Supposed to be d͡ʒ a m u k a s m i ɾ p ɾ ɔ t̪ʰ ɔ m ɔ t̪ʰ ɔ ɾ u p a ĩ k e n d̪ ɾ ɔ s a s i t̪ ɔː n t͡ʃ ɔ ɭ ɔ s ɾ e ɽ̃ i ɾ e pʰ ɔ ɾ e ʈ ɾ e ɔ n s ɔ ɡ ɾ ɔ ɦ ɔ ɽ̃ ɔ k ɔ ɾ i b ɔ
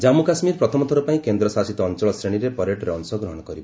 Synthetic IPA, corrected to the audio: d͡ʒ a m u k a s m i ɾ p ɾ ɔ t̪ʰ ɔ m ɔ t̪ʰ ɔ ɾ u p a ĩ k e n d̪ ɾ ɔ s a s i t̪ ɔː n t͡ʃ ɔ ɭ ɔ s ɾ e ɽ̃ i ɾ e p ɔ ɾ e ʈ ɾ e ɔ n s ɔ ɡ ɾ ɔ ɦ ɔ ɽ̃ ɔ k ɔ ɾ i b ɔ